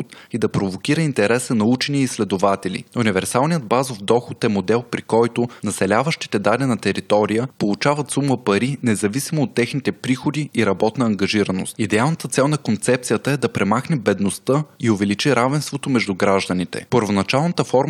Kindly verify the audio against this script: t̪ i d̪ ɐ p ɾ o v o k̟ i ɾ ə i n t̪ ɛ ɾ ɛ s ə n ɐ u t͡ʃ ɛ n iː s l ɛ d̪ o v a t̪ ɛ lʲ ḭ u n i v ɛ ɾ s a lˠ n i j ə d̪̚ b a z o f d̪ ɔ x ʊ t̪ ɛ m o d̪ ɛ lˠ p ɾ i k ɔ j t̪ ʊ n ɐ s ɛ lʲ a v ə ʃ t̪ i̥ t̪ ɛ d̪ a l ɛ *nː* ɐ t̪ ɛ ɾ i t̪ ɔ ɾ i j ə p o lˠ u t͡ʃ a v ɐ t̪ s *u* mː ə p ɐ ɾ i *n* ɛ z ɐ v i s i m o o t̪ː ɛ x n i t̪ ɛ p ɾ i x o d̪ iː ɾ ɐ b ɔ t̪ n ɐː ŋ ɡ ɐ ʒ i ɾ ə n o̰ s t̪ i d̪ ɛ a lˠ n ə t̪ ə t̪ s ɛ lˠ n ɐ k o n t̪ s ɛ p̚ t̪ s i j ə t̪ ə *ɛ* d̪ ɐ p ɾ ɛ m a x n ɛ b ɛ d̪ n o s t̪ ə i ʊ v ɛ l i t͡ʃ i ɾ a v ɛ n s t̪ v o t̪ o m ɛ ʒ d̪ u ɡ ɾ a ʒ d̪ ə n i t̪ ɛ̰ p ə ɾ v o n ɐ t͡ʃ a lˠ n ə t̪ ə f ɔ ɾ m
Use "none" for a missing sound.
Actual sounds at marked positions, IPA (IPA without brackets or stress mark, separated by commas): n, u, n, ɛ